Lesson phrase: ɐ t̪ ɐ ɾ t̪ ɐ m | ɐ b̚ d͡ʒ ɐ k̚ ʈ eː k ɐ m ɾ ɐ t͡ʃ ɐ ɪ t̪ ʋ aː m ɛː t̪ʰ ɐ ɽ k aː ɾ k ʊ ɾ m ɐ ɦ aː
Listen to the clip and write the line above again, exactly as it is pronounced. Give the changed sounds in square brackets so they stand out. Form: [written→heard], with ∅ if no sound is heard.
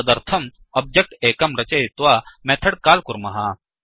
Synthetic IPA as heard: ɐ [t̪→d̪] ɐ ɾ [t̪→t̪ʰ] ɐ m | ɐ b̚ d͡ʒ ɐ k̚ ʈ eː k ɐ m ɾ ɐ t͡ʃ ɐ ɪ t̪ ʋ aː m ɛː t̪ʰ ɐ ɽ k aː [ɾ→l] k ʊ ɾ m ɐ ɦ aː